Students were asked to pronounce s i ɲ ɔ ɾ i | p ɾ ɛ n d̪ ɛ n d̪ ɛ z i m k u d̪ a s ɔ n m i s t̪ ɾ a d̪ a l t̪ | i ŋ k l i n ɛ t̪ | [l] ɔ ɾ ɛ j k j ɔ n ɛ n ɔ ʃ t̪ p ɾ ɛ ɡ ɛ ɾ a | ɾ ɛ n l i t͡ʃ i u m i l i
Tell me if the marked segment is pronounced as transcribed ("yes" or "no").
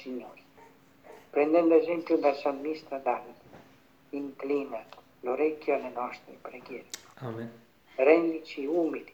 yes